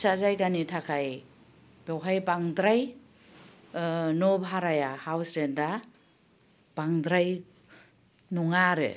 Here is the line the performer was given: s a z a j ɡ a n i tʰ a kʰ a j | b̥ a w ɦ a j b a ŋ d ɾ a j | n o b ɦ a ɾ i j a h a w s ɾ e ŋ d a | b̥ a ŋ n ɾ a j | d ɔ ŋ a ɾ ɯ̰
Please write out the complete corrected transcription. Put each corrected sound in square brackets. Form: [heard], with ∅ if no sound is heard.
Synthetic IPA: s a z a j ɡ a n i tʰ a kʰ a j | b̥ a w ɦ a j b a ŋ d ɾ a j | n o b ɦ a ɾ [a] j a h a w s ɾ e [n] d a | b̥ a ŋ [d] ɾ a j | [n] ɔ ŋ a ɾ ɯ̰